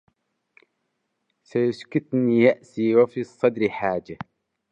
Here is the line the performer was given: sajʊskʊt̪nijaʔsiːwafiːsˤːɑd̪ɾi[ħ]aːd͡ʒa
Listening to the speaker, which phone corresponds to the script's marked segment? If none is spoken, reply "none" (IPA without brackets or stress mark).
ħ